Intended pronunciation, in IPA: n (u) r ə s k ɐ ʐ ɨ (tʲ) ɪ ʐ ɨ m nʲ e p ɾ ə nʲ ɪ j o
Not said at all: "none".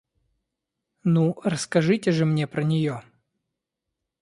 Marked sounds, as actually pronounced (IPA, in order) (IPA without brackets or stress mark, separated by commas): u, tʲ